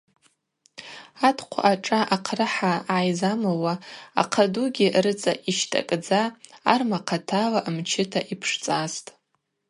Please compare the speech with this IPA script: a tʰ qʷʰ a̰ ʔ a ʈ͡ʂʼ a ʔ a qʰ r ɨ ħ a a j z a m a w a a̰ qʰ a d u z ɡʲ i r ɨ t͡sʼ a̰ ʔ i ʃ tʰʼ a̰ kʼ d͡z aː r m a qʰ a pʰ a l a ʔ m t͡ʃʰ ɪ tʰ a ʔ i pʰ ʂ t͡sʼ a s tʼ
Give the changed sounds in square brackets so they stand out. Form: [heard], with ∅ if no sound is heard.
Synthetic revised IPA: a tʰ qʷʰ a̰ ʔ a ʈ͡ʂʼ a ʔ a qʰ r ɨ ħ a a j z a m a w a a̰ qʰ a d u [∅] ɡʲ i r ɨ t͡sʼ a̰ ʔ i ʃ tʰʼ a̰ kʼ d͡z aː r m a qʰ a [tʰ] a l a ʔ m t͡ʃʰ ɪ tʰ a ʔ i pʰ ʂ t͡sʼ a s tʼ